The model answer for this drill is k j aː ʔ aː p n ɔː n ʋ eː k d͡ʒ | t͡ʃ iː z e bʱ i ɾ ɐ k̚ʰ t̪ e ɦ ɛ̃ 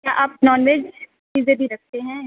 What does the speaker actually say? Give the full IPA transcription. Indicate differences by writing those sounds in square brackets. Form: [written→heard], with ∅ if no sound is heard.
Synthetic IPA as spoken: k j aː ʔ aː p n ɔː n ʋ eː [k→∅] d͡ʒ | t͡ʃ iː z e bʱ i ɾ ɐ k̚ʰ t̪ e ɦ ɛ̃